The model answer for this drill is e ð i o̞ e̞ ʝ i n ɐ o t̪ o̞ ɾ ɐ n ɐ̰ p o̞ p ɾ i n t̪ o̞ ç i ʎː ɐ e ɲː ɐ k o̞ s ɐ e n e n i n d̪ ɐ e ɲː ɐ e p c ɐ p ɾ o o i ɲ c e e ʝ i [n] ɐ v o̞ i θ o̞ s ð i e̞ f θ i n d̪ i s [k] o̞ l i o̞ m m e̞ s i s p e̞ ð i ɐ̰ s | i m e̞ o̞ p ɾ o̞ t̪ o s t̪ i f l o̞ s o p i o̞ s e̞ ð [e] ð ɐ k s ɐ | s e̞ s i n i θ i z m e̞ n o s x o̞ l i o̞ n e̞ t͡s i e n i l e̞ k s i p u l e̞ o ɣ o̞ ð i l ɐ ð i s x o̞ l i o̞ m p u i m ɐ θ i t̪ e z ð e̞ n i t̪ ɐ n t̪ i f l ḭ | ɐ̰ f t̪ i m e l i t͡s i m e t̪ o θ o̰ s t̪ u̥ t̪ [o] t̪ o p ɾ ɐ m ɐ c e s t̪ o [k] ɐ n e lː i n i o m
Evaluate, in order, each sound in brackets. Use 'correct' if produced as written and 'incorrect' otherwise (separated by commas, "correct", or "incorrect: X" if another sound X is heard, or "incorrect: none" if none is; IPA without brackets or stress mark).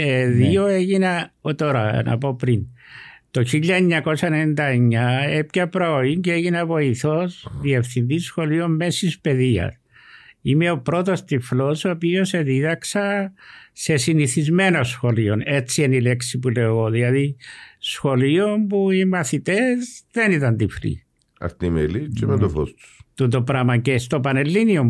correct, incorrect: x, incorrect: i, incorrect: u, incorrect: p